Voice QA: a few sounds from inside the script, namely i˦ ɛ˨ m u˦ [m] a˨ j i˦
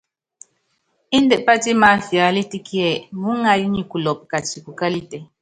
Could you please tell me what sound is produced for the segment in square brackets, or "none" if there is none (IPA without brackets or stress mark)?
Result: ŋ